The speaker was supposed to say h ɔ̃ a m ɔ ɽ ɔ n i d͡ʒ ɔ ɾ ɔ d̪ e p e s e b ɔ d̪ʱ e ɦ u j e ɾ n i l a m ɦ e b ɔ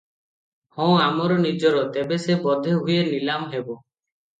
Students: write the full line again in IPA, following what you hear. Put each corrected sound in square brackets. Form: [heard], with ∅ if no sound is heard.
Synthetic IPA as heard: h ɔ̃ a m ɔ [ɾ] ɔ n i d͡ʒ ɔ ɾ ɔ [t̪] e [b] e s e b ɔ d̪ʱ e ɦ u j e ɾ n i l a m ɦ e b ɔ

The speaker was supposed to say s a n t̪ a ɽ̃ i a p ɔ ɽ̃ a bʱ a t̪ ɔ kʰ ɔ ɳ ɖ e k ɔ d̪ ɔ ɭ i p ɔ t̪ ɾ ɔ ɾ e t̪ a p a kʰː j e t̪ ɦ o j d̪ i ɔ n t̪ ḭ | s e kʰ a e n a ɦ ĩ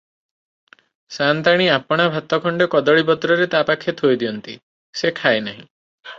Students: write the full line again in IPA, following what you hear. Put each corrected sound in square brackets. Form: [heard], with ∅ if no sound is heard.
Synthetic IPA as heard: s a n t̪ a ɽ̃ i a p ɔ ɽ̃ a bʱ a t̪ ɔ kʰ ɔ ɳ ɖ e k ɔ d̪ ɔ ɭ i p ɔ t̪ ɾ ɔ ɾ e t̪ a p a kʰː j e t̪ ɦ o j d̪ i ɔ n t̪ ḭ | s e kʰ a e n a ɦ ĩ

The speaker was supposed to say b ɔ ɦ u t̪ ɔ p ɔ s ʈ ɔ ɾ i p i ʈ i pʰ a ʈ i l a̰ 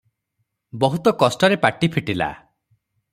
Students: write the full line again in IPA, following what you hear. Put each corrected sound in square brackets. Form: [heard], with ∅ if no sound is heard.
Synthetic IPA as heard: b ɔ ɦ u t̪ ɔ [k] ɔ s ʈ ɔ ɾ [e] p [a] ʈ i pʰ [i] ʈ i l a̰

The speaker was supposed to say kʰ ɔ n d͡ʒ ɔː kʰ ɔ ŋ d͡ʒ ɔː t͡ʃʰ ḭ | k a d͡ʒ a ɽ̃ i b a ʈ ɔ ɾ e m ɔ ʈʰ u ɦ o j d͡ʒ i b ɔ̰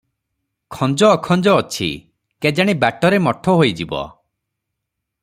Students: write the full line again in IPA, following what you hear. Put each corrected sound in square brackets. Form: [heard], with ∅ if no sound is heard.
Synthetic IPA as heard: kʰ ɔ n d͡ʒ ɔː kʰ ɔ [n] d͡ʒ ɔː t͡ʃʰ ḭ | k [e] d͡ʒ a ɽ̃ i b a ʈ ɔ ɾ e m ɔ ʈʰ [ɔ] ɦ o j d͡ʒ i b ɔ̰

